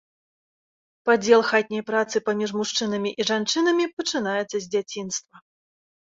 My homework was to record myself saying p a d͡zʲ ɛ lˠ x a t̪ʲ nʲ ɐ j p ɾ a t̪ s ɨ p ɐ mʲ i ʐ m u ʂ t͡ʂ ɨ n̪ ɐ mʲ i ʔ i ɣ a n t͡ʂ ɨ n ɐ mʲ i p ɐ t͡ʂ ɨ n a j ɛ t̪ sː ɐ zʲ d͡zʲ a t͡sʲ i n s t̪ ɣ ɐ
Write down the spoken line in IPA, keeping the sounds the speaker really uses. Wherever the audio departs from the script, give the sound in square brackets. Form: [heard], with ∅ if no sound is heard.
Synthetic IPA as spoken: p a d͡zʲ ɛ lˠ x a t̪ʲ nʲ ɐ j p ɾ a t̪ s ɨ p [a] mʲ i ʐ m u ʂ t͡ʂ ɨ n̪ ɐ mʲ i ʔ i [ʐ] a n t͡ʂ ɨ n ɐ mʲ i p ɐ t͡ʂ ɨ n a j ɛ t̪ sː ɐ zʲ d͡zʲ a t͡sʲ i n s t̪ [v] ɐ